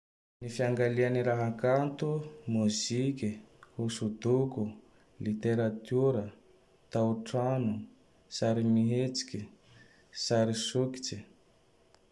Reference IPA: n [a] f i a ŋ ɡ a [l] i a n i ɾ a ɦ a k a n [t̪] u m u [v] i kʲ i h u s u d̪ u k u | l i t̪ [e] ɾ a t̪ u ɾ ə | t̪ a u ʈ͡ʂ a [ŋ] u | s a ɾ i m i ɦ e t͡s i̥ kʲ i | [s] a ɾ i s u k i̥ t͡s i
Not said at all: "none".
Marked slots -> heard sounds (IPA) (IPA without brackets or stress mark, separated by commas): i, l, t̪, z, e, n, s